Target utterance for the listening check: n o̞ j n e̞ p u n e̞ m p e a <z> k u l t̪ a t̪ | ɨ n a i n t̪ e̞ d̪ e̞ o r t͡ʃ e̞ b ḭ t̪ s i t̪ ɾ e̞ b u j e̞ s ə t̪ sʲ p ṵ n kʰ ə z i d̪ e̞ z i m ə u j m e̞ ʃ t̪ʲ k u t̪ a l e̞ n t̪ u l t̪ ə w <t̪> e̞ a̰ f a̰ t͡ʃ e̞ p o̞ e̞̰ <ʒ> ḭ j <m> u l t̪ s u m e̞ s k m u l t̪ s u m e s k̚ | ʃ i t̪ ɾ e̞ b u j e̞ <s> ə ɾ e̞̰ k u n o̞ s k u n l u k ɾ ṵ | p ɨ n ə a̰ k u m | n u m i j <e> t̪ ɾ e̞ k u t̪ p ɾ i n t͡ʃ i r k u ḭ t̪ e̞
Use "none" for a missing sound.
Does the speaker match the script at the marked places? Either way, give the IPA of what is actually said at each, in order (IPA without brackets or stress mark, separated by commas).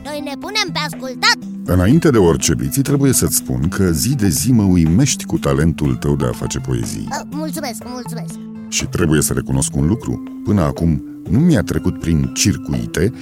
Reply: s, d̪, z, m, s, a